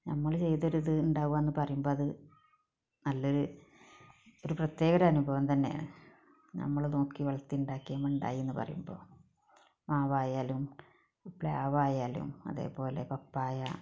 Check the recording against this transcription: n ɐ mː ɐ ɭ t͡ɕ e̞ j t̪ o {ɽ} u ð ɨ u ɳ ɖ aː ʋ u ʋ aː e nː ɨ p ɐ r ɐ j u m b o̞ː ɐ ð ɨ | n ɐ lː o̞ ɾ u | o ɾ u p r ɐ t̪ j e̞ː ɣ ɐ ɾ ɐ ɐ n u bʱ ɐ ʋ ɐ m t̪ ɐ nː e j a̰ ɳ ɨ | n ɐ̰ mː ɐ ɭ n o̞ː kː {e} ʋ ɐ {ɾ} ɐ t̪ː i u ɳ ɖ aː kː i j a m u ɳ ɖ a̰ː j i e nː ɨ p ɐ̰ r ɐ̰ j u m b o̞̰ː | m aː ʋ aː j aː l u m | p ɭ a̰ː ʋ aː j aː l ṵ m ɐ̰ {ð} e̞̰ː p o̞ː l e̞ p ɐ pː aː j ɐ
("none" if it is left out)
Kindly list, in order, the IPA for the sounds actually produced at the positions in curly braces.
ɾ, i, ɭ, ð

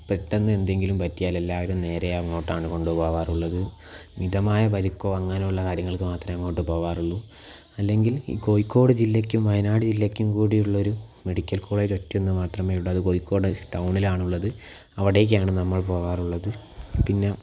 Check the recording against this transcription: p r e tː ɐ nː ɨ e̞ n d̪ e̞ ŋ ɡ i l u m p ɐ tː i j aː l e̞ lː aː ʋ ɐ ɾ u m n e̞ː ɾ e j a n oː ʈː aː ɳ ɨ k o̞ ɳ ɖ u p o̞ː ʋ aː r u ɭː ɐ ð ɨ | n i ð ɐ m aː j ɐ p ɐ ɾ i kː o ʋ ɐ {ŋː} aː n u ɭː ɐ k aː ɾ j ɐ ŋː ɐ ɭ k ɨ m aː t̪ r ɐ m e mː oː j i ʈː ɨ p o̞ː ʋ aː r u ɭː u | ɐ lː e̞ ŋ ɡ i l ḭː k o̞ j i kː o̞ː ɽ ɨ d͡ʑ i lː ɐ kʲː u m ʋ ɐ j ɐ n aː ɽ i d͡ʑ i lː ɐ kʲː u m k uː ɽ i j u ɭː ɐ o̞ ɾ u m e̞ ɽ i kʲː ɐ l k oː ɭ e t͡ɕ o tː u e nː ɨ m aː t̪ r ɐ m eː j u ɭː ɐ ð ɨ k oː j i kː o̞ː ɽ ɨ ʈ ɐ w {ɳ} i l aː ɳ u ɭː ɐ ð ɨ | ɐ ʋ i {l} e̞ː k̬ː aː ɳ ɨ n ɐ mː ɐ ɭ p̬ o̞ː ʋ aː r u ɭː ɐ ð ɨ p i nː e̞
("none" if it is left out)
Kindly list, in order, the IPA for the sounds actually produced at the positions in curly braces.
ŋː, ɳ, ɽ

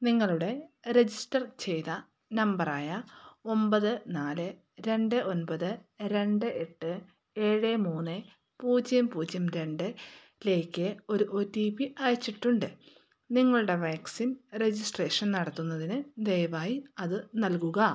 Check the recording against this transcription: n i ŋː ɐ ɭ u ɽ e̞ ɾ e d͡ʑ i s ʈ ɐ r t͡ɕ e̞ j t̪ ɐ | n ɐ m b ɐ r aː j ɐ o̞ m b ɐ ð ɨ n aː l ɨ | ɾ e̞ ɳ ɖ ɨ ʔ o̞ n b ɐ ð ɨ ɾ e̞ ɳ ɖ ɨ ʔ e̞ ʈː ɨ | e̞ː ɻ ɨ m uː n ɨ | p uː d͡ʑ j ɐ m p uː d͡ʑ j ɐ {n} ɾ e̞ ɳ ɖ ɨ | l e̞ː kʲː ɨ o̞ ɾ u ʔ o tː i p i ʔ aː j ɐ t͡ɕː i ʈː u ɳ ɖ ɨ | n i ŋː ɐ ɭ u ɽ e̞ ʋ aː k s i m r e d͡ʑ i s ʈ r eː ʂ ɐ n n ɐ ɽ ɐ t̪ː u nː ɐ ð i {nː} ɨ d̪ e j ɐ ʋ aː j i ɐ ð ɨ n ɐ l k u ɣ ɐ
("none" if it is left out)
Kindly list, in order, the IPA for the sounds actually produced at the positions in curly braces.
m, n

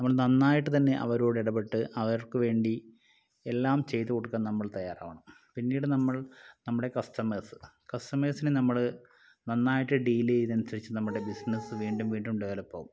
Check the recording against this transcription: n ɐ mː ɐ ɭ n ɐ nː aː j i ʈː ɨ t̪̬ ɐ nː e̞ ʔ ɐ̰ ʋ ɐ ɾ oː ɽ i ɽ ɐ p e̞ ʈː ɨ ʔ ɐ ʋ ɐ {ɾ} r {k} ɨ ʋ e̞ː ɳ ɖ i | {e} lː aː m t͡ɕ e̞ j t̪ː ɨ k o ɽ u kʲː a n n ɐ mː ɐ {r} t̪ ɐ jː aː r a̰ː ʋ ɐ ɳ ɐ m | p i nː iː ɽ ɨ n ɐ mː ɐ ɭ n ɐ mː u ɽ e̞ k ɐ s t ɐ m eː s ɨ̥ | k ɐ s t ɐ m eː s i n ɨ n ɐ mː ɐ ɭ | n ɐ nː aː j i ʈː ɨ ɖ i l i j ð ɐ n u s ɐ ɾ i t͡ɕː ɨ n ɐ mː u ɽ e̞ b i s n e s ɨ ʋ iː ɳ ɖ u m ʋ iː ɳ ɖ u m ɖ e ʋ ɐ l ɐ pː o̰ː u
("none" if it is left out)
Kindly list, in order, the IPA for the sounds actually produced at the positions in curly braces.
ɾ, k, e, ɭ

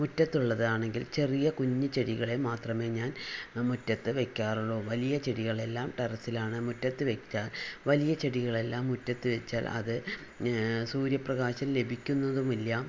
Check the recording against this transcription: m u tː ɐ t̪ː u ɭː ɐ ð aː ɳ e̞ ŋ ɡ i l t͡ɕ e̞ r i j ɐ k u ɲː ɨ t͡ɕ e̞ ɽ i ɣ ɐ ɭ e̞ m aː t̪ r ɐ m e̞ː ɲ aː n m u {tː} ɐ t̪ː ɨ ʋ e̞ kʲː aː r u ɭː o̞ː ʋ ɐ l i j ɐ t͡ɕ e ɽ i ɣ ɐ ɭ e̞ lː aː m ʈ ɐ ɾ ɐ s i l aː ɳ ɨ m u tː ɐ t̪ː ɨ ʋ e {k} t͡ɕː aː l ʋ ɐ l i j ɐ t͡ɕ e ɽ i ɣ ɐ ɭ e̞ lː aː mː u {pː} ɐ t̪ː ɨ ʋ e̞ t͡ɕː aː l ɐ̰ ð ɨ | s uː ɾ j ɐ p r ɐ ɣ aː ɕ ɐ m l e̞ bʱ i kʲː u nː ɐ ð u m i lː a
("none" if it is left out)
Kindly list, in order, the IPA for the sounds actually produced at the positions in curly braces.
tː, k, tː

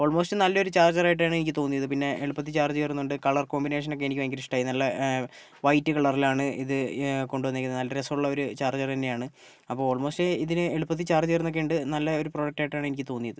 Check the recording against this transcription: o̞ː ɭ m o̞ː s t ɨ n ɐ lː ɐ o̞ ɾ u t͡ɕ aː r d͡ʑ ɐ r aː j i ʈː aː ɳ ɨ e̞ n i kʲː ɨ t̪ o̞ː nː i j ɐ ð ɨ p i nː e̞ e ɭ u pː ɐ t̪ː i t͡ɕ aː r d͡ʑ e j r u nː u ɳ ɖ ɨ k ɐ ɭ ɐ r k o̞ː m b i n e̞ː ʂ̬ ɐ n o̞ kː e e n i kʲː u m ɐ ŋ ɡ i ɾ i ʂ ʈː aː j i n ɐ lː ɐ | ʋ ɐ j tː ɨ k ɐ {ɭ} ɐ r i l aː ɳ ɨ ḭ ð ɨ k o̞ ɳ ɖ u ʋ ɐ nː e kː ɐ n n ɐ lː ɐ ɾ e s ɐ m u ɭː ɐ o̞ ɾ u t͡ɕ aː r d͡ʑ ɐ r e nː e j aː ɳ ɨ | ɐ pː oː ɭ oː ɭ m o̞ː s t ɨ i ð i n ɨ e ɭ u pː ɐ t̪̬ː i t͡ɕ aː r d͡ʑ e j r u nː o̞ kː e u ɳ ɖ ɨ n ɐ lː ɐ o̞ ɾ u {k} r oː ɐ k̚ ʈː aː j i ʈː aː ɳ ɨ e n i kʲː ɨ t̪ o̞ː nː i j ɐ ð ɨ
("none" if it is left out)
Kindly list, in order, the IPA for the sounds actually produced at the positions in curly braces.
ɭ, p

